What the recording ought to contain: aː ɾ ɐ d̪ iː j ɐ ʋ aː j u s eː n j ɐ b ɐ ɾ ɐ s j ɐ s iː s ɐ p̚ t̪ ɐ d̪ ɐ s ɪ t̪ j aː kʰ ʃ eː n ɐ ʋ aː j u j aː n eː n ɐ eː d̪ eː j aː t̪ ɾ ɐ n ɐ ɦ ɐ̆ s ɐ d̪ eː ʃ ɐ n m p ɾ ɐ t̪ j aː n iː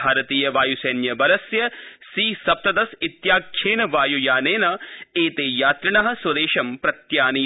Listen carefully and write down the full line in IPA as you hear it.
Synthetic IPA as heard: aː ɾ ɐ t̪ iː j ɐ ʋ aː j u s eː n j ɐ b ɐ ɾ ɐ s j ɐ s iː s ɐ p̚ t̪ ɐ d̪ ɐ s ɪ t̪ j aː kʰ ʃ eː n ɐ ʋ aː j u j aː n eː n ɐ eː t̪ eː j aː t̪ ɾ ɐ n ɐ ɦ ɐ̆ s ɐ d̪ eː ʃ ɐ m p ɾ ɐ t̪ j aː n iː

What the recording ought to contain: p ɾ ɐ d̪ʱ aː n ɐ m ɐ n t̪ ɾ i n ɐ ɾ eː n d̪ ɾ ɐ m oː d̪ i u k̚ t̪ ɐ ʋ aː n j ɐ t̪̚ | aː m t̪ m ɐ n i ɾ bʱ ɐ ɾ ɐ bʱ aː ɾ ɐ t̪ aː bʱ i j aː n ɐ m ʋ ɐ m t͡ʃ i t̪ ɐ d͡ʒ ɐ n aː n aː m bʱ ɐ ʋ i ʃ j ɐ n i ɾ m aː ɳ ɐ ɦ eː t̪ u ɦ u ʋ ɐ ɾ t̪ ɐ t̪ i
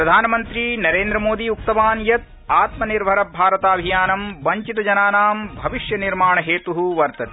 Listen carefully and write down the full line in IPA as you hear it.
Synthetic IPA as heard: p ɾ ɐ d̪ʱ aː n ɐ m ɐ n t̪ ɾ i n ɐ ɾ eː n d̪ ɾ ɐ m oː d̪ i u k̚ t̪ ɐ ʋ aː n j ɐ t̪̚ | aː t̪ m ɐ n i ɾ bʱ ɐ ɾ ɐ bʱ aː ɾ ɐ t̪ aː bʱ i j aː n ɐ m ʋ ɐ ɲ t͡ʃ i t̪ ɐ d͡ʒ ɐ n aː n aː m bʱ ɐ ʋ i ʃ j ɐ n i ɾ m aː ɳ ɐ ɦ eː t̪ u ɦ u ʋ ɐ ɾ t̪ ɐ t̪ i

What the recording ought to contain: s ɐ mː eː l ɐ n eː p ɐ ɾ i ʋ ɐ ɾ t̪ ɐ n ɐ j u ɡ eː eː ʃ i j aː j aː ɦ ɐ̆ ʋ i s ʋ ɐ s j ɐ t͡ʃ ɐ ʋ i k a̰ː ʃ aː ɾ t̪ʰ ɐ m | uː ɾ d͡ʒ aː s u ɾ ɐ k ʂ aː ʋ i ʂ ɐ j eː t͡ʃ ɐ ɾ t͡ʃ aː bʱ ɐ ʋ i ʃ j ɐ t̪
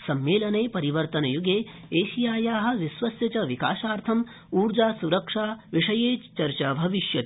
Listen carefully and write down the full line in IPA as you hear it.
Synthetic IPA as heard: s ɐ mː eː l ɐ n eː p ɐ ɾ i ʋ ɐ ɾ t̪ ɐ n ɐ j u ɡ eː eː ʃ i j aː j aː ɦ ɐ̆ ʋ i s ʋ ɐ s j ɐ t͡ʃ ɐ ʋ i k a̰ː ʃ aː ɾ t̪ʰ ɐ m | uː ɾ d͡ʒ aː s u ɾ ɐ k ʂ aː ʋ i ʂ ɐ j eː t͡ʃ ɐ ɾ t͡ʃ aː bʱ ɐ ʋ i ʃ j ɐ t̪

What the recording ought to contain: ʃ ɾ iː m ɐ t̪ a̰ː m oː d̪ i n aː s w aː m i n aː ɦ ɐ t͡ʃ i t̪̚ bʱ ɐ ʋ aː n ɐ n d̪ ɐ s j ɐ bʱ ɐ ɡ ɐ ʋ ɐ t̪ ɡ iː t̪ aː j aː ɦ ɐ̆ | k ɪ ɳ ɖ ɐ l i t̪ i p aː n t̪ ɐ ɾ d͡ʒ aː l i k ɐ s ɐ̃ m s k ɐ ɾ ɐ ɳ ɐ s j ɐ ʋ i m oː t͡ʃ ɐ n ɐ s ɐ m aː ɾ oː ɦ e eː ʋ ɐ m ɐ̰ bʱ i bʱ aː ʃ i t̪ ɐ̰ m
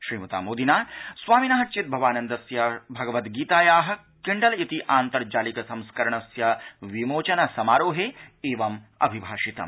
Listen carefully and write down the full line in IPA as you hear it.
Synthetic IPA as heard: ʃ ɾ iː m ɐ t̪ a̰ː m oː d̪ i n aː s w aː m i n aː ɦ ɐ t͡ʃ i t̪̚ bʱ ɐ ʋ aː n ɐ n d̪ ɐ s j ɐ bʱ ɐ ɡ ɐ ʋ ɐ t̪ ɡ iː t̪ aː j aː ɦ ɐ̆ | k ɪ ɳ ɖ ɐ l i t̪ i ʔ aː n t̪ ɐ ɾ d͡ʒ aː l i k ɐ s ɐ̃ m s k ɐ ɾ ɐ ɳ ɐ s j ɐ ʋ i m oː t͡ʃ ɐ n ɐ s ɐ m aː ɾ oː ɦ e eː ʋ ɐ m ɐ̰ bʱ i bʱ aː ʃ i t̪ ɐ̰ m

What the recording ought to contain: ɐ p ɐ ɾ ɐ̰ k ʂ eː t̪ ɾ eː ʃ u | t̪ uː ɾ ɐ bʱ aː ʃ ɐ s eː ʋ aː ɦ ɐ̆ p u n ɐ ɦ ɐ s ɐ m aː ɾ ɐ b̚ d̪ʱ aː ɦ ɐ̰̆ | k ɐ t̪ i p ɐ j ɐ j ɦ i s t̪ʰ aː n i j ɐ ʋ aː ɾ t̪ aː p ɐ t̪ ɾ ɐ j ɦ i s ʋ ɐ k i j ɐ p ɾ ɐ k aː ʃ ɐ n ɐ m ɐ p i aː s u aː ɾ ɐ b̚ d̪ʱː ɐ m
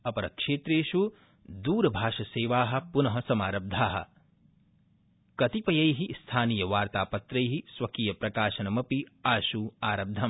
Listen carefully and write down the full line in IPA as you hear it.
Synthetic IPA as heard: ɐ p ɐ ɾ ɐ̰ k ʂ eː t̪ ɾ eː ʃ u | d̪ uː ɾ ɐ bʱ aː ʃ ɐ s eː ʋ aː ɦ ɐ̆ p u n ɐ ɦ ɐ s ɐ m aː ɾ ɐ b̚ d̪ʱ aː ɦ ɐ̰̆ | k ɐ t̪ i p ɐ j ɐ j ɦ i s t̪ʰ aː n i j ɐ ʋ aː ɾ t̪ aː p ɐ t̪ ɾ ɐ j ɦ i s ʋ ɐ k i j ɐ p ɾ ɐ k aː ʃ ɐ n ɐ m ɐ p i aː ʃ u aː ɾ ɐ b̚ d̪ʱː ɐ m

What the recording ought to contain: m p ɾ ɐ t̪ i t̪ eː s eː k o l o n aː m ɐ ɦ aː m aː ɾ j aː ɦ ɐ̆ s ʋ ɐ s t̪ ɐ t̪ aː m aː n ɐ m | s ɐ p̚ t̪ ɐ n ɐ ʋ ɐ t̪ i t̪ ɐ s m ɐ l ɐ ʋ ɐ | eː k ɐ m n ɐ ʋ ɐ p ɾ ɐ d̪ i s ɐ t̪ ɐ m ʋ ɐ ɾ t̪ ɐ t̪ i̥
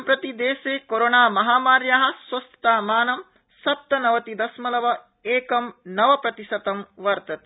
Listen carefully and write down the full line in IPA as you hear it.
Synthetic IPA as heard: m p ɾ ɐ t̪ i d̪ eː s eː k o ɾ o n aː m ɐ ɦ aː m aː ɾ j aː ɦ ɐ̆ s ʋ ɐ s t̪ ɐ t̪ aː m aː n ɐ m | s ɐ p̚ t̪ ɐ n ɐ ʋ ɐ t̪ i d̪ ɐ s m ɐ l ɐ ʋ ɐ | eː k ɐ m n ɐ ʋ ɐ p ɾ ɐ t̪ i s ɐ t̪ ɐ m ʋ ɐ ɾ t̪ ɐ t̪ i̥

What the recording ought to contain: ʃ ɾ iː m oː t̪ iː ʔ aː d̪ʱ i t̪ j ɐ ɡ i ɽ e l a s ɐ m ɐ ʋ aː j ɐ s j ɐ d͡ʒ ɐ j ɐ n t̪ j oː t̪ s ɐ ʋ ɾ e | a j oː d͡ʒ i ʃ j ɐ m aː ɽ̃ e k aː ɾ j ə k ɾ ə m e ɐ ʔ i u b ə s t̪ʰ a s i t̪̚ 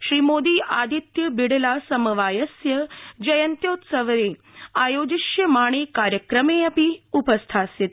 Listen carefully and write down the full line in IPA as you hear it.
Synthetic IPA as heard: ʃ ɾ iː m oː d̪ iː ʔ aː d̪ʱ i t̪ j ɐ b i ɽ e l a s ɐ m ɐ ʋ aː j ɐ s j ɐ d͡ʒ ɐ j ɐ n t̪ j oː t̪ s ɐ ʋ ɾ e | a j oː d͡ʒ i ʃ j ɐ m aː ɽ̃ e k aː ɾ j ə k ɾ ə m e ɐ p i u p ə s t̪ʰ a s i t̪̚

